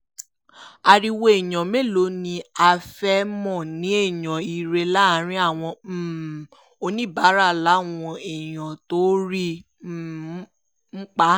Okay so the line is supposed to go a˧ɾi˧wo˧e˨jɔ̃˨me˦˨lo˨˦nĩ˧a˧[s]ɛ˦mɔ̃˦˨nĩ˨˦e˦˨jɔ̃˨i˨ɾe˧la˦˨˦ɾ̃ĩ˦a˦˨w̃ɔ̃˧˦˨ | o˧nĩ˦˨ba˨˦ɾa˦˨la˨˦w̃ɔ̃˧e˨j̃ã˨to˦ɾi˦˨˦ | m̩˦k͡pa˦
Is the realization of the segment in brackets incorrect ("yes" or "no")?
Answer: yes